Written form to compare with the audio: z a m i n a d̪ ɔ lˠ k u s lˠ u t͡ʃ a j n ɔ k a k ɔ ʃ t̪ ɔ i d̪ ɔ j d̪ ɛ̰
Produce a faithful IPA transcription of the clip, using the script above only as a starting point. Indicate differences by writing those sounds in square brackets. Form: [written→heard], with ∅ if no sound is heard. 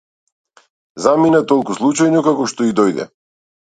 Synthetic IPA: z a m i n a [d̪→t̪] ɔ lˠ k u s lˠ u t͡ʃ a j n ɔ k a k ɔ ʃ t̪ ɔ i d̪ ɔ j d̪ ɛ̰

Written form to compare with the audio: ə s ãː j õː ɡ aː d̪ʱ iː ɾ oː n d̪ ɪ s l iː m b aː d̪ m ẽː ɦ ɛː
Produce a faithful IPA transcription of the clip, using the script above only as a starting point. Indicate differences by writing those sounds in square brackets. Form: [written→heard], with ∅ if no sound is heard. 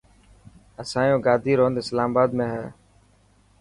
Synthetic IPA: ə s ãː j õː ɡ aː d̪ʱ iː ɾ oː n d̪ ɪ s l [iː→aː] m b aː d̪ m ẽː ɦ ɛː

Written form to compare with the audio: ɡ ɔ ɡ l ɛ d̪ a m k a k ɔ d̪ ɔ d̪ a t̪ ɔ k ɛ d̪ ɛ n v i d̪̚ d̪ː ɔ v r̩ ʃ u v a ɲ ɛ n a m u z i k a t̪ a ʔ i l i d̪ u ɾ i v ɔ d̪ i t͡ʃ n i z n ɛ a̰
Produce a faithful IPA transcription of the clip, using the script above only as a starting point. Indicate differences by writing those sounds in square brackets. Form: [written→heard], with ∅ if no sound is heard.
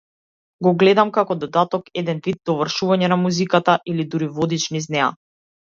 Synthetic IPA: ɡ ɔ ɡ l ɛ d̪ a m k a k ɔ d̪ ɔ d̪ a t̪ ɔ k ɛ d̪ ɛ n v i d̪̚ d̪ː ɔ v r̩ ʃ u v a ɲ ɛ n a m u z i k a t̪ a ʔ i l i d̪ u ɾ i v ɔ d̪ i t͡ʃ n i z n ɛ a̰

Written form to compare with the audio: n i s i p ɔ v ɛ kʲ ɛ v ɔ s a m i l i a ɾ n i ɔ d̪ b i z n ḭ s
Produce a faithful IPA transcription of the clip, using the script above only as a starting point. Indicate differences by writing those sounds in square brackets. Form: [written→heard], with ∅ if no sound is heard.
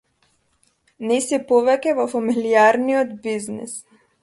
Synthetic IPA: n [i→ɛ] s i p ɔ v ɛ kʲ ɛ v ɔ [s→f] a m i l i a ɾ n i ɔ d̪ b i z n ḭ s

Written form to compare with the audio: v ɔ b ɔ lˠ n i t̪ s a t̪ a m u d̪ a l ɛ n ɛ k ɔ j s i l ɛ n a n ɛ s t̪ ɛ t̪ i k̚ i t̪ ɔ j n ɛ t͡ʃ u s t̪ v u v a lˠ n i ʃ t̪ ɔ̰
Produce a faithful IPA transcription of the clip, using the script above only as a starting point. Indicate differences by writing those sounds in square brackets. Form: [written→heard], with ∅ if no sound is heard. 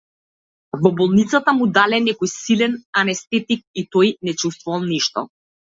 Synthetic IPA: v ɔ b ɔ lˠ n i t̪ s a t̪ a m u d̪ a l ɛ n ɛ k ɔ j s i l ɛ n a n ɛ s t̪ ɛ t̪ i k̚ i t̪ ɔ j n ɛ t͡ʃ u s t̪ v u v a lˠ n i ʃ t̪ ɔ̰

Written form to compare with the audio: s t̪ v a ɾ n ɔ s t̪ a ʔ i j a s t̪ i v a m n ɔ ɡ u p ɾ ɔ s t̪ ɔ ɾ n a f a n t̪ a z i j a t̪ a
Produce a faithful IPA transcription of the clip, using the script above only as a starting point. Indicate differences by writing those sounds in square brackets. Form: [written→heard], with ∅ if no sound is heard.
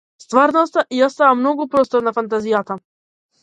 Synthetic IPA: s t̪ v a ɾ n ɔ s t̪ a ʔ i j a s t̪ [i→a] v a m n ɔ ɡ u p ɾ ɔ s t̪ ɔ ɾ n a f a n t̪ a z i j a t̪ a

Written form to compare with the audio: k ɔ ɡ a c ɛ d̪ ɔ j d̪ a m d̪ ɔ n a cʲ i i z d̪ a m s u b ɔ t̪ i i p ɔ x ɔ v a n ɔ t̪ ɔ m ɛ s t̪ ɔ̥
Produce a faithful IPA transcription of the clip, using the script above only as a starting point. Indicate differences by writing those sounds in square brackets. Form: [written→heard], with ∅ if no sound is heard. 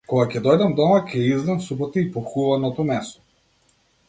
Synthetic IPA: k ɔ ɡ a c ɛ d̪ ɔ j d̪ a m d̪ ɔ [n→m] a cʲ [i→ɛ] i z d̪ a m s u b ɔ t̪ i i p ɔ x [ɔ→u] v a n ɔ t̪ ɔ m ɛ s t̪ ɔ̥

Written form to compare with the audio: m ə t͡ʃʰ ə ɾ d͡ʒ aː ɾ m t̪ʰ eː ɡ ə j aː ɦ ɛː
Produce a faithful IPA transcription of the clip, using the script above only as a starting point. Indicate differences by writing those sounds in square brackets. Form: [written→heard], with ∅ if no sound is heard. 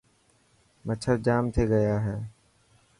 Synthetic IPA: m ə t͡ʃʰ ə ɾ d͡ʒ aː [ɾ→∅] m t̪ʰ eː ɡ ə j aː ɦ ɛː

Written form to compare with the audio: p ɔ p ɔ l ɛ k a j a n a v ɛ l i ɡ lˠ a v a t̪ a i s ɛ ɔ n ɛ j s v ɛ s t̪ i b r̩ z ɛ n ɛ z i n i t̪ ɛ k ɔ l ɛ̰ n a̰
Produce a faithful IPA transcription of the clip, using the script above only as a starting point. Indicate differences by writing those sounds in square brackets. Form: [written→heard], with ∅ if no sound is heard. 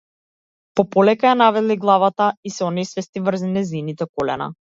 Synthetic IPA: p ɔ p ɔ l ɛ k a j a n a v ɛ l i ɡ lˠ a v a t̪ a i s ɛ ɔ n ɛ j s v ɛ s t̪ i [b→v] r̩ z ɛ n ɛ z i n i t̪ ɛ k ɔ l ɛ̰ n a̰

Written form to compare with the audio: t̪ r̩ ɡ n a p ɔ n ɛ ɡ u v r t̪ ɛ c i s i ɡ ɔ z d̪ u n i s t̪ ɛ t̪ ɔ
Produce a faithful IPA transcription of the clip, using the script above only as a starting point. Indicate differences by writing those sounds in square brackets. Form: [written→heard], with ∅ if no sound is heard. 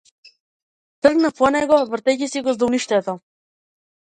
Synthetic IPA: t̪ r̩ ɡ n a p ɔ n ɛ ɡ [u→ɔ] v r t̪ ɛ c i s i ɡ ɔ z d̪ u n i [s→ʃ] t̪ ɛ t̪ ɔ

